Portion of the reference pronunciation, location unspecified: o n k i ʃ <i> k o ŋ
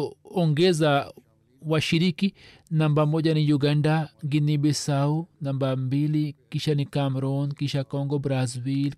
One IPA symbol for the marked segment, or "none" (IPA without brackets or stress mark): a